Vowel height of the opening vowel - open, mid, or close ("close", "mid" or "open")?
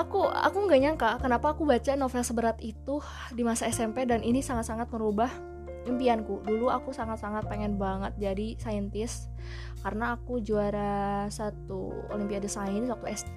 open